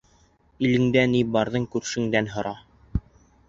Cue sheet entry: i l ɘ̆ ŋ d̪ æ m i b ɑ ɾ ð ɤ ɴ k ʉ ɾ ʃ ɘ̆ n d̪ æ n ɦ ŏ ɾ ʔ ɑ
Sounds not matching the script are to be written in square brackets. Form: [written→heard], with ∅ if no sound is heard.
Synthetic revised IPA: i l ɘ̆ ŋ d̪ æ [m→n] i b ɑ ɾ ð ɤ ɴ k ʉ ɾ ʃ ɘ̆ [n→ŋ] d̪ æ n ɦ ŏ ɾ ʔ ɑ